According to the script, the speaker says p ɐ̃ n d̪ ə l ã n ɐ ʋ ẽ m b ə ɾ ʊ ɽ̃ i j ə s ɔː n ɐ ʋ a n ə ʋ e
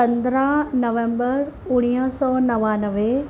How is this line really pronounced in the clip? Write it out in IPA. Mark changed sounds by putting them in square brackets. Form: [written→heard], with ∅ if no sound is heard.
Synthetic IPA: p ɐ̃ n d̪ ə [l→ɾ] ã n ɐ ʋ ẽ m b ə ɾ ʊ ɽ̃ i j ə s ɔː n ɐ ʋ a n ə ʋ e